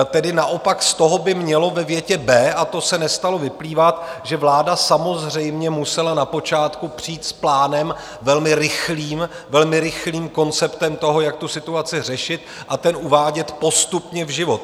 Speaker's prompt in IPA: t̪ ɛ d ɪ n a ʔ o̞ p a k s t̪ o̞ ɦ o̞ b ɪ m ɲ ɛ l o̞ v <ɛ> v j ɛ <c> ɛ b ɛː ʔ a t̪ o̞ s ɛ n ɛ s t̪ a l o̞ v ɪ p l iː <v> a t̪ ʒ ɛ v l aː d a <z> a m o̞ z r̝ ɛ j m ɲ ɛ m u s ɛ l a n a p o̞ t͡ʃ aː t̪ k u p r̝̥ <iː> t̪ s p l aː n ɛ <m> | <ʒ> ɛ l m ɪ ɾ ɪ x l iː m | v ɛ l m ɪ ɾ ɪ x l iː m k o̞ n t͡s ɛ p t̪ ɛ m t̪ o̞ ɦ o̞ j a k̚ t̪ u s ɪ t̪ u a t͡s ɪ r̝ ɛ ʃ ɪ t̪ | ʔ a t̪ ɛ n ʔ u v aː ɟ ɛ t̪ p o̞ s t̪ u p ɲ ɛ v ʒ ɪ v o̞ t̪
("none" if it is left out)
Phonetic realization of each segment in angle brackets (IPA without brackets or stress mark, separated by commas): ɛ, c, v, s, iː, m, v